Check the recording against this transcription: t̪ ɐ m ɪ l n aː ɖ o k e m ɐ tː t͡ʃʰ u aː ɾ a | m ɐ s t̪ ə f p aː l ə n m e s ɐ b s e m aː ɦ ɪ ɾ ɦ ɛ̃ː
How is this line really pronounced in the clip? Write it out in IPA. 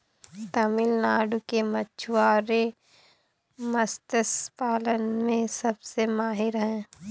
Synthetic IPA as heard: t̪ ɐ m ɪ l n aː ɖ u k e m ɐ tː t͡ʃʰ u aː ɾ e | m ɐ s t̪ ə s p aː l ə n m ẽ s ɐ b s e m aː ɦ ɪ ɾ ɦ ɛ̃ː